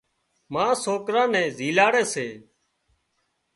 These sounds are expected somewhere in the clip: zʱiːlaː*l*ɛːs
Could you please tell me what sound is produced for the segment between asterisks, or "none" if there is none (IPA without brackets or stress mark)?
ɽ